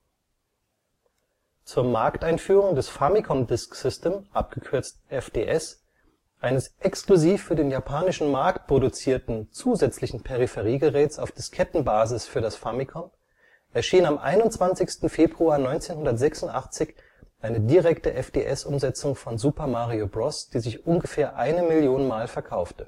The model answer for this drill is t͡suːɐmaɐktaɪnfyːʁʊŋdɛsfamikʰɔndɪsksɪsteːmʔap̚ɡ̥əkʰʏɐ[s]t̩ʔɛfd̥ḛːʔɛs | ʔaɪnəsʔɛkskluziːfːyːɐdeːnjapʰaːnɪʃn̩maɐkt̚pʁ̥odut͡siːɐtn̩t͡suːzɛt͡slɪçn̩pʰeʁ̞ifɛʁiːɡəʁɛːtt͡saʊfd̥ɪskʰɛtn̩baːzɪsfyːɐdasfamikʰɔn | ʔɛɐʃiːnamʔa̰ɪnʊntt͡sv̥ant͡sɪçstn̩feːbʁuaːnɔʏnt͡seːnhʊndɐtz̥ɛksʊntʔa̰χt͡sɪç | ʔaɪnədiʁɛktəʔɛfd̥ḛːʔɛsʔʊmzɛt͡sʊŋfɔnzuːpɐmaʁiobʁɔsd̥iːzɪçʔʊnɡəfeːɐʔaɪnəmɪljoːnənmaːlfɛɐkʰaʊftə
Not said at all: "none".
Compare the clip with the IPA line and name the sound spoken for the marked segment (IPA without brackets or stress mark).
t͡s